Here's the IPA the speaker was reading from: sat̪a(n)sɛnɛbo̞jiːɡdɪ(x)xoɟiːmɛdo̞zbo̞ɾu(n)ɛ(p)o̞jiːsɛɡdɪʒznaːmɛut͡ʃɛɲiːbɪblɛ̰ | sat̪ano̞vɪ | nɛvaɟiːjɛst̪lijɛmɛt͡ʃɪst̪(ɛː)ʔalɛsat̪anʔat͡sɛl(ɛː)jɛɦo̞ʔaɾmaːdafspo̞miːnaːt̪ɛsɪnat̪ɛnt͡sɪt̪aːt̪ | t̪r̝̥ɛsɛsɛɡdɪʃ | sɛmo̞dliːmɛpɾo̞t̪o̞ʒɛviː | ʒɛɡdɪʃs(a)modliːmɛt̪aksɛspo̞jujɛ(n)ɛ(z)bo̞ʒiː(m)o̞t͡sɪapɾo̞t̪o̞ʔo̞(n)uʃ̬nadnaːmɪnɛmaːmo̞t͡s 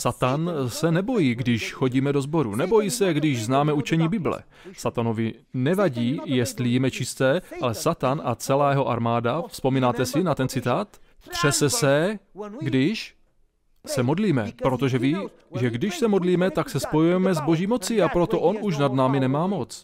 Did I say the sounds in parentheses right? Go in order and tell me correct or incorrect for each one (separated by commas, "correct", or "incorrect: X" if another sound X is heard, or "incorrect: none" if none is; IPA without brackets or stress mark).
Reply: correct, incorrect: ʃ, correct, incorrect: b, correct, incorrect: aː, incorrect: ɛ, incorrect: m, correct, correct, correct